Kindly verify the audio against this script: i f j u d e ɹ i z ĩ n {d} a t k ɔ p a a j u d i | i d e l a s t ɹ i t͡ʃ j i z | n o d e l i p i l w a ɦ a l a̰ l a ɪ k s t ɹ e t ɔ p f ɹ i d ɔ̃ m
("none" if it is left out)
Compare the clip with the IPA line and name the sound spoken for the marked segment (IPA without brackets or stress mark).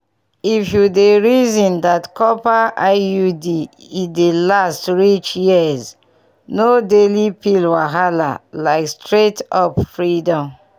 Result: d